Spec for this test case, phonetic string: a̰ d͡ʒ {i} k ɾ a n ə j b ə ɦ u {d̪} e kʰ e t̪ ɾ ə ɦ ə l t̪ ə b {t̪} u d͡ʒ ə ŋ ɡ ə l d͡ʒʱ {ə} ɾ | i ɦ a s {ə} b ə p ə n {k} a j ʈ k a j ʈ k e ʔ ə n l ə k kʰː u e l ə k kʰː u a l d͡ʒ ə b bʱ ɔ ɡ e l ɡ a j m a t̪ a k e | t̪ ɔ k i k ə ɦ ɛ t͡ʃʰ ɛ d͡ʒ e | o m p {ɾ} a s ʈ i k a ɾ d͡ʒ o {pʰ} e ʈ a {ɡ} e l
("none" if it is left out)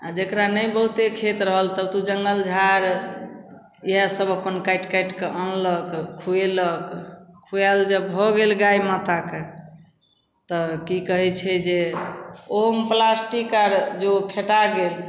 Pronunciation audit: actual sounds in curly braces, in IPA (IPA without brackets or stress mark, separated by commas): e, t̪, t̪, a, ə, k, l, pʰ, ɡ